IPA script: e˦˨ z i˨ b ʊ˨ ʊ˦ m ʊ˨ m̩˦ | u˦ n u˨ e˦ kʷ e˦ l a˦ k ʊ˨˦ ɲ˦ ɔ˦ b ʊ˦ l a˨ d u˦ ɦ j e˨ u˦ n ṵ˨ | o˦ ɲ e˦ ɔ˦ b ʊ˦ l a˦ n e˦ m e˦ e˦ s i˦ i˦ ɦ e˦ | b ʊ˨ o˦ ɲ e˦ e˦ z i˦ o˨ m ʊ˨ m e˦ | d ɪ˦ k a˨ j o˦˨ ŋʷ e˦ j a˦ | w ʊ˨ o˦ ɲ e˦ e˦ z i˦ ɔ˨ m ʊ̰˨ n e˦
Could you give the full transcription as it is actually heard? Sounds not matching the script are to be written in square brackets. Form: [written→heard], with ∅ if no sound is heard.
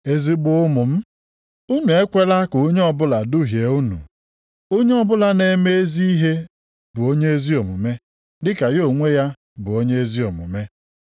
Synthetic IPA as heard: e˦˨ z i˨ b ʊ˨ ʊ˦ m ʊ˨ m̩˦ | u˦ n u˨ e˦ kʷ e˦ l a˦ k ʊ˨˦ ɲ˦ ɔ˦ b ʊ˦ l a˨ d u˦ ɦ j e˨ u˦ n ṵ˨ | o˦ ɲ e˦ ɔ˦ b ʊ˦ l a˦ n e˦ m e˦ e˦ [s→z] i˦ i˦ ɦ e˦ | b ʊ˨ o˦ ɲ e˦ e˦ z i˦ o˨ m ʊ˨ m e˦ | d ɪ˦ k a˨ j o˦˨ ŋʷ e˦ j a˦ | [w→b] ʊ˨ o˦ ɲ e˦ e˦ z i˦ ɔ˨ m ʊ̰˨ [n→m] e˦

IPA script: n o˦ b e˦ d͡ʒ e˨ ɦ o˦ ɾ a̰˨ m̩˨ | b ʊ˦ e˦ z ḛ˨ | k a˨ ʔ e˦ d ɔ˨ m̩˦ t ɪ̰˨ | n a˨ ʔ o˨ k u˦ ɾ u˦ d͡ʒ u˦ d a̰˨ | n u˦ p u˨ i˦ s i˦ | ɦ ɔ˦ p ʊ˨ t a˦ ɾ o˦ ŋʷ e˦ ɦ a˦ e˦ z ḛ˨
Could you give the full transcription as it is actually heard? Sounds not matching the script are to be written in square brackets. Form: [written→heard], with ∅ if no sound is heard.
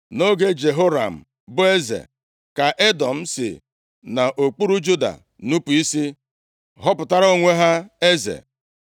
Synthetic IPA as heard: n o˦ [b→ɡ] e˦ d͡ʒ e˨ ɦ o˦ ɾ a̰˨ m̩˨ | b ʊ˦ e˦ z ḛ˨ | k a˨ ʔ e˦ d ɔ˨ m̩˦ [t→s] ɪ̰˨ | n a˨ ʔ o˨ [k→k͡p] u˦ ɾ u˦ d͡ʒ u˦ d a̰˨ | n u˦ p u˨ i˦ s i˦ | ɦ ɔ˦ p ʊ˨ t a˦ ɾ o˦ ŋʷ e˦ ɦ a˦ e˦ z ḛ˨

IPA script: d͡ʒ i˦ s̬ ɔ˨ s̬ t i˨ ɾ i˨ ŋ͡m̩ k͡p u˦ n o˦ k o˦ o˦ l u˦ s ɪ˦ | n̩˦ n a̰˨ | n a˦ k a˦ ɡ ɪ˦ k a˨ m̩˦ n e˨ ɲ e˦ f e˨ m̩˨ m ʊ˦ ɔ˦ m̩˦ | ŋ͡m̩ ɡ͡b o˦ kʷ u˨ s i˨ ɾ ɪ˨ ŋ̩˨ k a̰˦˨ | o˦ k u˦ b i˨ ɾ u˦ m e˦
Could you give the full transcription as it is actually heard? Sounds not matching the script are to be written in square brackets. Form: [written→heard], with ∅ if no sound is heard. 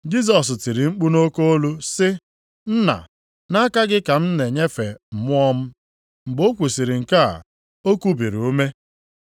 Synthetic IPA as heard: d͡ʒ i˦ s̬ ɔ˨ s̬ t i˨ ɾ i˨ ŋ͡m̩ k͡p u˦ n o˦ k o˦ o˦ l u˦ s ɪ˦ | n̩˦ n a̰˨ | n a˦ k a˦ ɡ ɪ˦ k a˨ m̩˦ n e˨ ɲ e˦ f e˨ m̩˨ m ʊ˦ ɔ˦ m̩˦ | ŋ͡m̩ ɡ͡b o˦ kʷ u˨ s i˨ ɾ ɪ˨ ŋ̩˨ k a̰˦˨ | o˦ k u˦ b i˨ ɾ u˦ m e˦

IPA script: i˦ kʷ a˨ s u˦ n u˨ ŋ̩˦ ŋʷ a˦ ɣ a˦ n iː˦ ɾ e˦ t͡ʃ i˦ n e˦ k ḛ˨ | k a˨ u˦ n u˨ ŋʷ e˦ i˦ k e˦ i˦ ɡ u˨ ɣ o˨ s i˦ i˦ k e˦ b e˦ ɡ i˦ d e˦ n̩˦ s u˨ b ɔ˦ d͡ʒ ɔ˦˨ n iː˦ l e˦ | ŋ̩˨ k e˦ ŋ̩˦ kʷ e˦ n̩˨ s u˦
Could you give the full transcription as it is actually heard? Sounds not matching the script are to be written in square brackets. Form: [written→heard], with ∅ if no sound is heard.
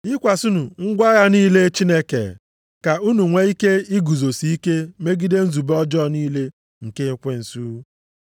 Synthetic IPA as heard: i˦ kʷ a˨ s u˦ n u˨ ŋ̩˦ [ŋʷ→ɡʷ] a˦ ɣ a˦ n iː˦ [ɾ→l] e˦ t͡ʃ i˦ n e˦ k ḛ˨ | k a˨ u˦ n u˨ ŋʷ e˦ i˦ k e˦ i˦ ɡ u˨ [ɣ→z] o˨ s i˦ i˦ k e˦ [b→m] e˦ ɡ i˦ d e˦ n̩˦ [s→z] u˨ b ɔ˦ d͡ʒ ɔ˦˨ n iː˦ l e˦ | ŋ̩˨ k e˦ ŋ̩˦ kʷ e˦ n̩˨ s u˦

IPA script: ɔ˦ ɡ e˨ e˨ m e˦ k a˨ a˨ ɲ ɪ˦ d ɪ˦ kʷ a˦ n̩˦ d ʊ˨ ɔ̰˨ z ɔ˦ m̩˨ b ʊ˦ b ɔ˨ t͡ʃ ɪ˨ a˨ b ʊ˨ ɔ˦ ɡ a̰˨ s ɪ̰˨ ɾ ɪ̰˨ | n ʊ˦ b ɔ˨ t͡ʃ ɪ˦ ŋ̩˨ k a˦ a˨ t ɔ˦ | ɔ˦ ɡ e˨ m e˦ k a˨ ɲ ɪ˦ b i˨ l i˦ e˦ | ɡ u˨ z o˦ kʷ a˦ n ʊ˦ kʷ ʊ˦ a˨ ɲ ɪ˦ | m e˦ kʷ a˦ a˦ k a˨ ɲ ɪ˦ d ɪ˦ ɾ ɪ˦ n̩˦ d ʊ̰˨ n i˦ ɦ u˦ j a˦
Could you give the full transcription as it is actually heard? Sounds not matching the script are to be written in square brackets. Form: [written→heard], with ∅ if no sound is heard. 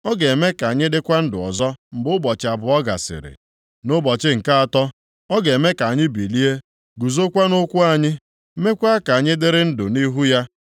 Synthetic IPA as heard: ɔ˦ ɡ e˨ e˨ m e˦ k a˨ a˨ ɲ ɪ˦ d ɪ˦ kʷ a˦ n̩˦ d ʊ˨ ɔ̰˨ z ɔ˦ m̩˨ b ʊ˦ b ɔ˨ t͡ʃ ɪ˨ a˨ b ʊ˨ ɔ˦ ɡ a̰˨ s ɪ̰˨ ɾ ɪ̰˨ | n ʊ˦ b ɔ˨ t͡ʃ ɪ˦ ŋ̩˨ k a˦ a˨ t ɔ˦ | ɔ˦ ɡ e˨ m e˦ k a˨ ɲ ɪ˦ b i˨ l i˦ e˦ | ɡ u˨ z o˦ kʷ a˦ n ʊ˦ kʷ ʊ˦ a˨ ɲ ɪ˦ | m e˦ kʷ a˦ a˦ k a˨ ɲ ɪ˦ d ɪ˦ ɾ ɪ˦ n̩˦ d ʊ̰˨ n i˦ ɦ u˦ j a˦

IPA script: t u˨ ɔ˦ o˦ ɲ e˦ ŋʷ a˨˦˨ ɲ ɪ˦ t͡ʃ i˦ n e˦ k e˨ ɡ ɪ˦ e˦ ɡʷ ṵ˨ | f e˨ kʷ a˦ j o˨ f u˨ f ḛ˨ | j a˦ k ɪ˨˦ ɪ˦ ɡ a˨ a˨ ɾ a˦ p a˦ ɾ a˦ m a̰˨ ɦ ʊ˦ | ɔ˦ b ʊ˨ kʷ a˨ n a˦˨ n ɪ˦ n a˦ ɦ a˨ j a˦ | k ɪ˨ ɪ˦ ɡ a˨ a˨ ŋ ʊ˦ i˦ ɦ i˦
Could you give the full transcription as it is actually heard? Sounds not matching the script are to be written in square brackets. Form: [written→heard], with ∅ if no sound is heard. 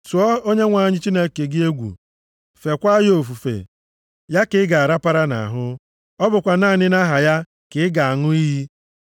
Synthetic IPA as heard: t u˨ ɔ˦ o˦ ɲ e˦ ŋʷ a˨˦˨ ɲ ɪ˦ t͡ʃ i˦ n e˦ k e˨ ɡ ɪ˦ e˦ ɡʷ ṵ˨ | f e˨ kʷ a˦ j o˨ f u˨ f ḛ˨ | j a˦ k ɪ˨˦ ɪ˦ ɡ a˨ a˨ ɾ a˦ p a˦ ɾ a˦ [m→n] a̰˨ ɦ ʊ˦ | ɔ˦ b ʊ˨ kʷ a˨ n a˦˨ n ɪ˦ n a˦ ɦ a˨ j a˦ | k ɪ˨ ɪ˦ ɡ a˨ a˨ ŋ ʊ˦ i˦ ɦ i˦

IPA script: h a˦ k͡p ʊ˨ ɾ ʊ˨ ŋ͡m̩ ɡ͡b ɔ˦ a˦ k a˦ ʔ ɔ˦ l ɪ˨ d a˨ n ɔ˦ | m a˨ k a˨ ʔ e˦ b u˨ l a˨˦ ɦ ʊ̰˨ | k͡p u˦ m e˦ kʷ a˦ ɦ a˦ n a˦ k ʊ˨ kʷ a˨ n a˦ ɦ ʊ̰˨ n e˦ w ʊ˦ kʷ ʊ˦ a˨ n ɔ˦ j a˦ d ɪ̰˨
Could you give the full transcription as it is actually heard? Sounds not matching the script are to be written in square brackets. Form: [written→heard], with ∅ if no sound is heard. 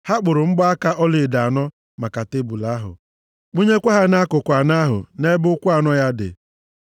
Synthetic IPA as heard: h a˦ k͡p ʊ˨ ɾ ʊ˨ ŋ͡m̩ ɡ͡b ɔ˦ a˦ k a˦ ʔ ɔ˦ l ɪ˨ d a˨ n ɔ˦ | m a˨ k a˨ [ʔ→t] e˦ b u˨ l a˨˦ ɦ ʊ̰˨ | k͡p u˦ [m→ɲ] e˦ kʷ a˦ ɦ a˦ n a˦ k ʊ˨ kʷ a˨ n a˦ ɦ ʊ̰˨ n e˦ [w→b] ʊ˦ kʷ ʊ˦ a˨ n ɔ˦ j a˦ d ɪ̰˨

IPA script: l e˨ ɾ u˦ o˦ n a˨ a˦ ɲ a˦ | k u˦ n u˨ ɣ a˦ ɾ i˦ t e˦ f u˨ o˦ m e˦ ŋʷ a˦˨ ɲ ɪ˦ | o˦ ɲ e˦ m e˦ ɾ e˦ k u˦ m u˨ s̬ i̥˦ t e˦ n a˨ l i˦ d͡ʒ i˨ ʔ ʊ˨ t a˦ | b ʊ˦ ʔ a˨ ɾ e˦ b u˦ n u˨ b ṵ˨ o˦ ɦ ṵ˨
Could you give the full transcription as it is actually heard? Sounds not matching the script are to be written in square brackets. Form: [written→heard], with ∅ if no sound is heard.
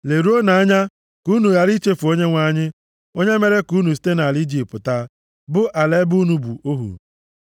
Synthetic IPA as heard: l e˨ ɾ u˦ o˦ n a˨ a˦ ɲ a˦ | k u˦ n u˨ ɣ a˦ ɾ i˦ [t→t͡ʃ] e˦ f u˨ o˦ [m→ɲ] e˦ ŋʷ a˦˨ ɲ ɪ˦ | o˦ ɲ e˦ m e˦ ɾ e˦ k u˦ [m→n] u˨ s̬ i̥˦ t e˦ n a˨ l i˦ d͡ʒ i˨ [ʔ→p] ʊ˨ t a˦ | b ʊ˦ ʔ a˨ [ɾ→l] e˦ b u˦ n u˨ b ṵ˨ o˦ ɦ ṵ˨

